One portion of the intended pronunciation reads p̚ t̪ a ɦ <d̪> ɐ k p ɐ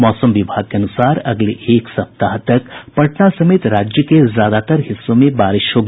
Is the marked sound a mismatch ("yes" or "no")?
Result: yes